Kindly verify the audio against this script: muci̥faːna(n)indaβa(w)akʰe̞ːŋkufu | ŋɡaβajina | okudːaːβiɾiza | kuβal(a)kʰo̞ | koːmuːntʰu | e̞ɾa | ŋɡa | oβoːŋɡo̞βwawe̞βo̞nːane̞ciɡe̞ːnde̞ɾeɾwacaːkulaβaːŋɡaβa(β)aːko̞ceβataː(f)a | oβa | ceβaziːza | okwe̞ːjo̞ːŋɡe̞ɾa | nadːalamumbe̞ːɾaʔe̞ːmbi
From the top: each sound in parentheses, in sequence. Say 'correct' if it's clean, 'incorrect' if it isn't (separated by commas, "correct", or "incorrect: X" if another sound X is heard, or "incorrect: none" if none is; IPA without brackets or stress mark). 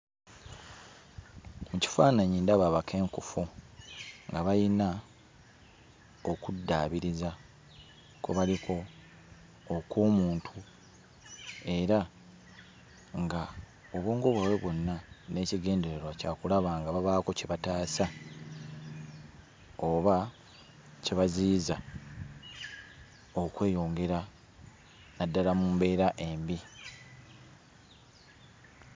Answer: incorrect: ɲ, incorrect: β, incorrect: i, correct, incorrect: s